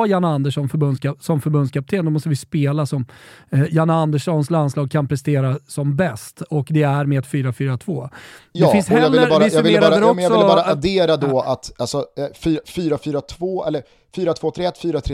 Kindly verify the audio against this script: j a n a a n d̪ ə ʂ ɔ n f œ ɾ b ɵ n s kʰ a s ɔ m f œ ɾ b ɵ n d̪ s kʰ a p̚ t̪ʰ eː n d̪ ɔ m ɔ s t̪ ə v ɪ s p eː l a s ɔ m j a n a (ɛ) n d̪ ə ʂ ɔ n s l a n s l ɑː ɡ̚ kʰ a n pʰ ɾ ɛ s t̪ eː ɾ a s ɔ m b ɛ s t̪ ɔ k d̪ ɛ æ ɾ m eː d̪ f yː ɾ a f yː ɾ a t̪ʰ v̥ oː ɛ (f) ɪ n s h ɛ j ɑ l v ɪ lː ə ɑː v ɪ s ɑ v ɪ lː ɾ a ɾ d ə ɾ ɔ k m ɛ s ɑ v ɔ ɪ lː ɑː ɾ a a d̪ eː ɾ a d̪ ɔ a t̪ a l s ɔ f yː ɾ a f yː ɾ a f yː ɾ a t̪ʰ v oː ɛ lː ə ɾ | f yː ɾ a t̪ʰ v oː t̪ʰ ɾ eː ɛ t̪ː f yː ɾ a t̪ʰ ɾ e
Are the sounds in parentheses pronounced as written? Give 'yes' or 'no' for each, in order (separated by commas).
no, yes